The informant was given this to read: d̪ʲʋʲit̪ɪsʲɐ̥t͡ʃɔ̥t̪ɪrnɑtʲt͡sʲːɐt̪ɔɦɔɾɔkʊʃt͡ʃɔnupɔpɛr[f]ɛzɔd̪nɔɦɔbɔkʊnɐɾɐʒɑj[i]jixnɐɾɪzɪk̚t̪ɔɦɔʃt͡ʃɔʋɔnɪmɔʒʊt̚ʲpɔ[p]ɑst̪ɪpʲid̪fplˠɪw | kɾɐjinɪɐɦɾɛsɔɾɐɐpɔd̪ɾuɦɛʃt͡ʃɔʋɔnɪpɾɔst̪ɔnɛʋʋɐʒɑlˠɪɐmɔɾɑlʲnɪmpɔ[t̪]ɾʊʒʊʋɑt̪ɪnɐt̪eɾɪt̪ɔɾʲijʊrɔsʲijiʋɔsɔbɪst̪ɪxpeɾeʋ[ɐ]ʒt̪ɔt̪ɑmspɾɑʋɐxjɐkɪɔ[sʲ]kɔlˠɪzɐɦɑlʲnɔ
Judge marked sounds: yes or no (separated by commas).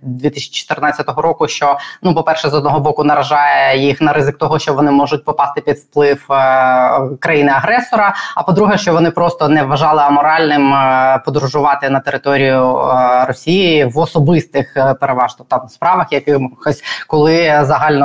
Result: no, no, yes, no, no, yes